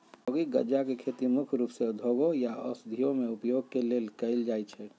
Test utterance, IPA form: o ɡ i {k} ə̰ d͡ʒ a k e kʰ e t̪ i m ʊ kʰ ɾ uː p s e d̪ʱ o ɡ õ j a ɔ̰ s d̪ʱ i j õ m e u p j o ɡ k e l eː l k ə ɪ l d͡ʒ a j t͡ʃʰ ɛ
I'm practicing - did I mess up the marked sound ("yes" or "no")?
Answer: yes